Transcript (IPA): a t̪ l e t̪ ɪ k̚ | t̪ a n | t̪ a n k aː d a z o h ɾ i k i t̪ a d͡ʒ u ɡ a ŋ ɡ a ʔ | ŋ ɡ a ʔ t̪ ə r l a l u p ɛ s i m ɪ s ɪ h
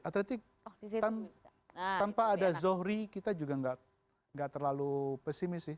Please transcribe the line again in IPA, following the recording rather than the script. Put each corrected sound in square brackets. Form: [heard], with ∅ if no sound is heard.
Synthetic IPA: a t̪ l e t̪ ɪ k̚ | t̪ a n | t̪ a n [p] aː d a z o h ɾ i k i t̪ a d͡ʒ u ɡ a ŋ ɡ a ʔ | ŋ ɡ a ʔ t̪ ə r l a l u p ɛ s i m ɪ s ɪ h